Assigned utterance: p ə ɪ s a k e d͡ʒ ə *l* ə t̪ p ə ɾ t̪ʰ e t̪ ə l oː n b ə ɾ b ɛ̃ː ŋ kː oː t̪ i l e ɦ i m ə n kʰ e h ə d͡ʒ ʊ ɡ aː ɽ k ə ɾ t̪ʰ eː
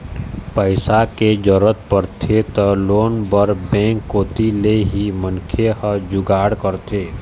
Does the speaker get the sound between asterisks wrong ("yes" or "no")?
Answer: yes